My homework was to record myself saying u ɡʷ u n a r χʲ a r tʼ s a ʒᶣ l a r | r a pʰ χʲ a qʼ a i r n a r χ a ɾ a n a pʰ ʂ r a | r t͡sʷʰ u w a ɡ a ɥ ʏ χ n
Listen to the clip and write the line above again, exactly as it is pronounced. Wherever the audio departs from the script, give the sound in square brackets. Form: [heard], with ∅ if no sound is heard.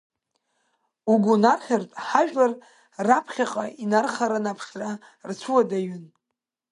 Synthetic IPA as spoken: u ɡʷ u n a r χʲ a r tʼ [ħ] a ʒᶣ l a r | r a pʰ χʲ a qʼ a i [∅] n a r χ a ɾ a n a pʰ ʂ r a | r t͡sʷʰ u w a [d] a ɥ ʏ [∅] n